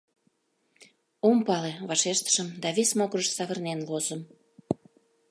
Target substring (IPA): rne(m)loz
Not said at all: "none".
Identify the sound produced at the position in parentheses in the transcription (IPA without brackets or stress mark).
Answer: n